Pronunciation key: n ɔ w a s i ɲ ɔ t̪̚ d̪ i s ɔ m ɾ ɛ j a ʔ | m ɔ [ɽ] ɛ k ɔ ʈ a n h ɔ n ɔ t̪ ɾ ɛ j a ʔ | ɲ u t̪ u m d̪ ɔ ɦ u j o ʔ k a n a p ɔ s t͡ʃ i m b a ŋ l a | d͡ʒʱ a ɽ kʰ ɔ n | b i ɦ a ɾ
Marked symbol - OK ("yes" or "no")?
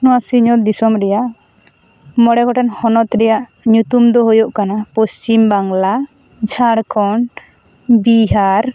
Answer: yes